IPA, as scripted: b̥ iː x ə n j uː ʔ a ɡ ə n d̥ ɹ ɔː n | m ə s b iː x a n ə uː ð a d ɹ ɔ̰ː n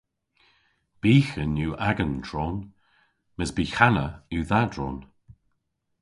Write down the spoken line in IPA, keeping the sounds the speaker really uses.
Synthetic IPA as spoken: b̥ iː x ə n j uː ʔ a ɡ ə n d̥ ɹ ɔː n | m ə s b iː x a n ə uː ð a d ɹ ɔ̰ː n